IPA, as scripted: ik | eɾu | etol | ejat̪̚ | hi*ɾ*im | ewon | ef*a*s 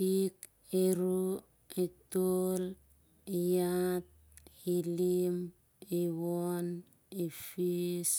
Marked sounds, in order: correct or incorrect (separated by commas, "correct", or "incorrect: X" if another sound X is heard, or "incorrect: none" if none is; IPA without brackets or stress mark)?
incorrect: l, incorrect: i